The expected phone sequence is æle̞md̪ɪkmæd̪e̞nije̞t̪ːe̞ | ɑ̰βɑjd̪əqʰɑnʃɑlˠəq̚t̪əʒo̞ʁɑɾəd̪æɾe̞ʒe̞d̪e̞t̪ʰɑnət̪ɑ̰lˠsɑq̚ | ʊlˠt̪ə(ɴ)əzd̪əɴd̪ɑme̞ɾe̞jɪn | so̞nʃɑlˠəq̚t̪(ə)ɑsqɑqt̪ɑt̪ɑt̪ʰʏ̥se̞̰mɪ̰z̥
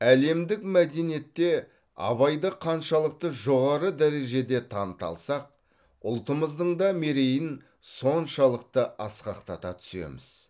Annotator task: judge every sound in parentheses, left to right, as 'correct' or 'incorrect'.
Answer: incorrect, correct

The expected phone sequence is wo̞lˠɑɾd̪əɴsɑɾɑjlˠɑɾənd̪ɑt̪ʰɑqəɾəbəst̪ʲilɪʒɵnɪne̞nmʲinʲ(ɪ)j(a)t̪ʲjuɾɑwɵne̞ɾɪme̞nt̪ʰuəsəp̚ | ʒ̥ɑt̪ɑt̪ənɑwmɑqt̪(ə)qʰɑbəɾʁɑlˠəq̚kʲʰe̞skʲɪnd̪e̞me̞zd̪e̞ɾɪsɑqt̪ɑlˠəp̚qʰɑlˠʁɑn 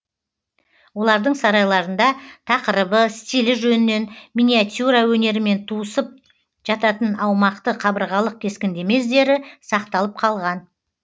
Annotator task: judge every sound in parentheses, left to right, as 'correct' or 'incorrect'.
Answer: incorrect, correct, correct

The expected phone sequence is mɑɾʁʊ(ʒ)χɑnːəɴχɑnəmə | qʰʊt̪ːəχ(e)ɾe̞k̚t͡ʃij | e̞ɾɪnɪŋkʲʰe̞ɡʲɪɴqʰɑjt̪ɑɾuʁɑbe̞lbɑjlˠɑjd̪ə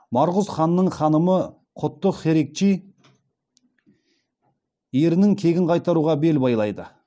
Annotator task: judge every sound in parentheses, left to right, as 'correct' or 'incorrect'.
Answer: incorrect, correct

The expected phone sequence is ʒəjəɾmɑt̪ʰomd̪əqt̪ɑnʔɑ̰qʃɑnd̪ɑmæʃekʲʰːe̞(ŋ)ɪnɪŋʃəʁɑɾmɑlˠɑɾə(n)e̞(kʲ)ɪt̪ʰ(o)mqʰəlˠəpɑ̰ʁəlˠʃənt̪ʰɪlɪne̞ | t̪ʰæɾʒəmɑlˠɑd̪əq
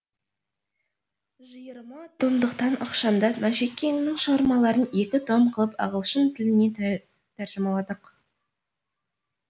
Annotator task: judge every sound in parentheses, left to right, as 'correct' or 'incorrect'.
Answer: correct, correct, correct, correct

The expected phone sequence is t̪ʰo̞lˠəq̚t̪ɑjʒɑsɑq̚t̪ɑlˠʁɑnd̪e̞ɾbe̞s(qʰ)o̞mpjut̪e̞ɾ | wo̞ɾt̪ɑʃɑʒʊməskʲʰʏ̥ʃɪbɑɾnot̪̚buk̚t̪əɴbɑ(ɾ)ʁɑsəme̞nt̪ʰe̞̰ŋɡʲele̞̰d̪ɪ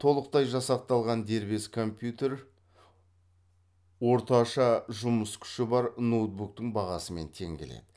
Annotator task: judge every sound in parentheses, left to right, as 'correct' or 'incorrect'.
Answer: incorrect, incorrect

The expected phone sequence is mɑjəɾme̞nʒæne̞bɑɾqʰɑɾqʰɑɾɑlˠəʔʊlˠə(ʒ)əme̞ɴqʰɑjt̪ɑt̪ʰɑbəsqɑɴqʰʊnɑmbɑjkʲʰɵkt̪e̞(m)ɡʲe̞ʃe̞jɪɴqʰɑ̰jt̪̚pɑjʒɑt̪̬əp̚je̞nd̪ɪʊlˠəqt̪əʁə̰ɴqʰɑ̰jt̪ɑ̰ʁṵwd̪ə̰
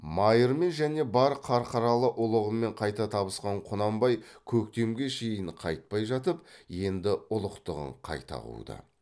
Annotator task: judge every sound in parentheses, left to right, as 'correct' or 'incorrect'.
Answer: incorrect, correct

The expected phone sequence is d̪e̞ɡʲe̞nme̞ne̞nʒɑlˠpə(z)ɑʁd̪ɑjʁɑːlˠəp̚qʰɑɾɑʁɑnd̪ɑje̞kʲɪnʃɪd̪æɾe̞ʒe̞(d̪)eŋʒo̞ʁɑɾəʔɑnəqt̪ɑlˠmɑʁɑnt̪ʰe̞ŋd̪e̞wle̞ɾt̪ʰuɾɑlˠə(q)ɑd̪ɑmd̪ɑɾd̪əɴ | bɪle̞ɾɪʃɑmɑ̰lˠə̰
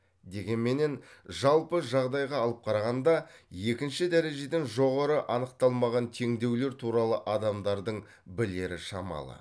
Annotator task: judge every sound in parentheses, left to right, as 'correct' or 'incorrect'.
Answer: incorrect, correct, incorrect

